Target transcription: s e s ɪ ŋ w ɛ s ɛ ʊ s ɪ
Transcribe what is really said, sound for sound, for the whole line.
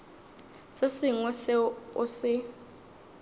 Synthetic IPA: s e s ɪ ŋ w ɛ s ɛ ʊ s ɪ